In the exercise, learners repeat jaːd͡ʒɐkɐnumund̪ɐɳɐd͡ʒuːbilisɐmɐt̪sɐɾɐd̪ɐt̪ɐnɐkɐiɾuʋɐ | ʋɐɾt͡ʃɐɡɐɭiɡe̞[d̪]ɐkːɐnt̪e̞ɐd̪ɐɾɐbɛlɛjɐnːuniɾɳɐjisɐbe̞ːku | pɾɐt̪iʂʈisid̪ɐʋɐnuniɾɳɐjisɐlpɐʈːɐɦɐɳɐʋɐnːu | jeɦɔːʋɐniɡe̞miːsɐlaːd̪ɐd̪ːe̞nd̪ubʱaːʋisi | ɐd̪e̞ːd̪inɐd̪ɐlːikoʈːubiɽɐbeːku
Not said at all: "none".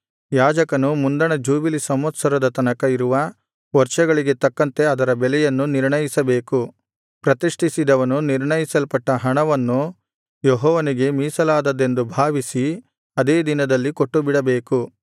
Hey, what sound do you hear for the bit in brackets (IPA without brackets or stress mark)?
t̪